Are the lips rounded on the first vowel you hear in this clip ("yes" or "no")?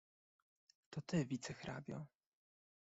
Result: yes